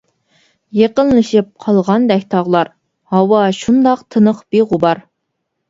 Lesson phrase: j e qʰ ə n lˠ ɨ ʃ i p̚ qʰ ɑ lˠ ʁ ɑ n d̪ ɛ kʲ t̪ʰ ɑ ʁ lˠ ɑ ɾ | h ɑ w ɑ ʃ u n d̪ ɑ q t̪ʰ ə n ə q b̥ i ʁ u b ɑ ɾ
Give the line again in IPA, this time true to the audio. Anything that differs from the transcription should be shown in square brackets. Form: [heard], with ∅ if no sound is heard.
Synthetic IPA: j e [q] ə n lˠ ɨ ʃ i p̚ qʰ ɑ lˠ ʁ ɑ n d̪ ɛ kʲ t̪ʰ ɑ ʁ lˠ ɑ ɾ | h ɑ w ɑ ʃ u n d̪ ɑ q t̪ʰ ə n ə q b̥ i ʁ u b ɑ ɾ